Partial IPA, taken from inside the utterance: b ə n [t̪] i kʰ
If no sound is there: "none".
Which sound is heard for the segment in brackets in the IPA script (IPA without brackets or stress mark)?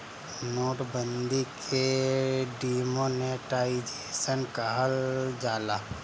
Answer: d̪